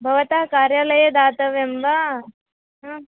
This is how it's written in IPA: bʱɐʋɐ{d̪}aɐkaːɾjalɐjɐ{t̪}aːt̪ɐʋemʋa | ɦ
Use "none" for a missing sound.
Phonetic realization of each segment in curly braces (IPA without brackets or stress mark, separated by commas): t̪, d̪